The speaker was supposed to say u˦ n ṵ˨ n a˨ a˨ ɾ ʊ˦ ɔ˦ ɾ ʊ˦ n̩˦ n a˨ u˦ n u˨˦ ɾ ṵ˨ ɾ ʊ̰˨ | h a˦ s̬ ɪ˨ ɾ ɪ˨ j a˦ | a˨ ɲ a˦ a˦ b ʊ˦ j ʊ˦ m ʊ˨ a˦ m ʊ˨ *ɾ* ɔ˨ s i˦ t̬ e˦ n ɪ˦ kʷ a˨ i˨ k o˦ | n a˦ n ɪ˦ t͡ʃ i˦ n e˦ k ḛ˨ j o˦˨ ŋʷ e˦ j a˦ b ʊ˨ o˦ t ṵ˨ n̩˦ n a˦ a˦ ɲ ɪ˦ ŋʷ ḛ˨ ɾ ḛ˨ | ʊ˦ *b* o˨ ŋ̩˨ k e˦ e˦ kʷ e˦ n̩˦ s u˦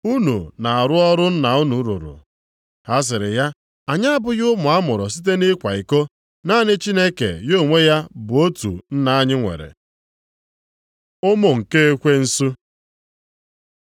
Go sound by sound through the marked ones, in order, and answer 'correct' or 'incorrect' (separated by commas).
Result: correct, incorrect